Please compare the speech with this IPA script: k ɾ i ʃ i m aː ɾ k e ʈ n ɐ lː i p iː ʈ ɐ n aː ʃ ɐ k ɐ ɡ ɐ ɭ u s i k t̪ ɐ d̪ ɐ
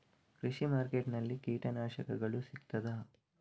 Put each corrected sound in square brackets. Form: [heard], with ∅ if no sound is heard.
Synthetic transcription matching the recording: k ɾ i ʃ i m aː ɾ k e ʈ n ɐ lː i [k] iː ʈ ɐ n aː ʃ ɐ k ɐ ɡ ɐ ɭ u s i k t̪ ɐ d̪ ɐ